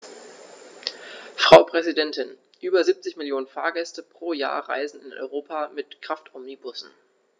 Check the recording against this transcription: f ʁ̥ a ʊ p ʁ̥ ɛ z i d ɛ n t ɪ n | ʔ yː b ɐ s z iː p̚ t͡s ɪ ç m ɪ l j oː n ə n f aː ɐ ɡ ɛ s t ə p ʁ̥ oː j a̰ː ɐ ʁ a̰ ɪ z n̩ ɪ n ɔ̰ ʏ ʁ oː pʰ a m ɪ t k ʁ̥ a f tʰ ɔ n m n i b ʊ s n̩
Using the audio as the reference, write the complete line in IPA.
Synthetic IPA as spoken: f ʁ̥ a ʊ p ʁ̥ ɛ z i d ɛ n t ɪ n | ʔ yː b ɐ z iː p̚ t͡s ɪ ç m ɪ l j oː n ə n f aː ɐ ɡ ɛ s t ə p ʁ̥ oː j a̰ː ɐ ʁ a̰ ɪ z n̩ ɪ n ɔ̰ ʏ ʁ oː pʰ a m ɪ t k ʁ̥ a f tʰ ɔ m n i b ʊ s n̩

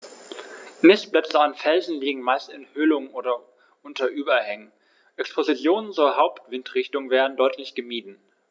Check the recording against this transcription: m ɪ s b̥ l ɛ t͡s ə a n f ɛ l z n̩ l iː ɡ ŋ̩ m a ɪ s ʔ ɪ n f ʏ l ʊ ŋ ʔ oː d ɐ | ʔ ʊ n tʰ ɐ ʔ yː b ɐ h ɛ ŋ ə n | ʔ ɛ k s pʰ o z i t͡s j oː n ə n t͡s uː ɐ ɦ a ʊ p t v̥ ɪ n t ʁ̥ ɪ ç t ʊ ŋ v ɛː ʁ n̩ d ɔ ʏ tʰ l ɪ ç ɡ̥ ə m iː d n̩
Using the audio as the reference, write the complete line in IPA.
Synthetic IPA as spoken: m ɪ s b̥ l ɛ t͡s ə a n f ɛ l z n̩ l iː ɡ ŋ̩ m a ɪ s t ɪ n h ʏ l ʊ ŋ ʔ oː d ɐ | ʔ ʊ n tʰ ɐ ʔ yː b ɐ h ɛ ŋ ə n | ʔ ɛ k s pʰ o z i t͡s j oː n ə n t͡s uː ɐ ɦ a ʊ p t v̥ ɪ n t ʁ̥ ɪ ç t ʊ ŋ v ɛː ʁ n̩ d ɔ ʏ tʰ l ɪ ç ɡ̥ ə m iː d n̩

